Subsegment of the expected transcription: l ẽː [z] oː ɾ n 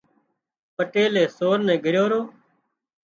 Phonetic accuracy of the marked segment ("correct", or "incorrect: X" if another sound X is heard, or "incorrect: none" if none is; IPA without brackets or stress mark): incorrect: s